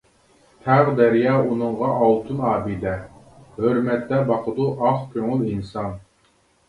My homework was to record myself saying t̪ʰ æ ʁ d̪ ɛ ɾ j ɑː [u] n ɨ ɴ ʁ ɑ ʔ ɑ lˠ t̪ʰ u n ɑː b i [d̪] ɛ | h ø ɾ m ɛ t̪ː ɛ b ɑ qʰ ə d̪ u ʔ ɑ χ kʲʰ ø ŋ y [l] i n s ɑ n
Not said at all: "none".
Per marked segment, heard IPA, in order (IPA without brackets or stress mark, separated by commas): u, d̪, l